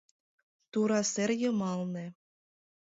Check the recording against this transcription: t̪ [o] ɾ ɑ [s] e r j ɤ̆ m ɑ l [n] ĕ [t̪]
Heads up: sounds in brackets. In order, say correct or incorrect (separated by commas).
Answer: incorrect, correct, correct, incorrect